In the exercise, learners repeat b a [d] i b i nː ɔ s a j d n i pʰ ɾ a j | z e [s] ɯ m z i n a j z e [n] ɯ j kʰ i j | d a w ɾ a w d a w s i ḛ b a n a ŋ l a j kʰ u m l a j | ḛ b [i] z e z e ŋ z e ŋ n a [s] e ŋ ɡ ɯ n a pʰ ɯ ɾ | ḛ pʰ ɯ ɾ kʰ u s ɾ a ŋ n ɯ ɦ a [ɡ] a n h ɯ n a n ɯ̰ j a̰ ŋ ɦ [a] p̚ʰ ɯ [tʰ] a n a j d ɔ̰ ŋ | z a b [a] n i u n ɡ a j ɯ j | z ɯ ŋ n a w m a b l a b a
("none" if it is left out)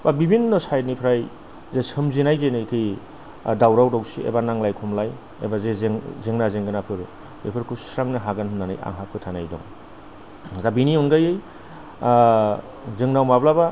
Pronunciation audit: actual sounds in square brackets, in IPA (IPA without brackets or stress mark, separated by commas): b, s, n, a, z, ɡ, a, tʰ, i